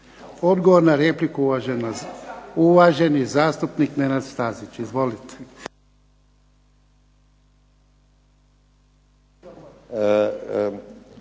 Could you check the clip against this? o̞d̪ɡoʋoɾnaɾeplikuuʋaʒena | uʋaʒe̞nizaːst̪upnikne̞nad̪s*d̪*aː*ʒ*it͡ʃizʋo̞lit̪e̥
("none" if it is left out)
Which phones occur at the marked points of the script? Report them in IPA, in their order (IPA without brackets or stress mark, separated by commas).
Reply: t̪, z